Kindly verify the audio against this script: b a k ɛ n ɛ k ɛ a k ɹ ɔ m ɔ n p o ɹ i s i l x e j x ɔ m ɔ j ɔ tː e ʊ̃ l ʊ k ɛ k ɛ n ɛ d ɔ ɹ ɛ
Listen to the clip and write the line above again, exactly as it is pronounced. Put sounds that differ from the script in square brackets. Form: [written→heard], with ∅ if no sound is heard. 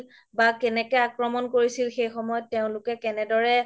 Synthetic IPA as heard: b a k ɛ n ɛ k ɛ a k ɹ ɔ m ɔ n [p→k] o ɹ i s i l x e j x ɔ m ɔ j ɔ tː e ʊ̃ l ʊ k ɛ k ɛ n ɛ d ɔ ɹ ɛ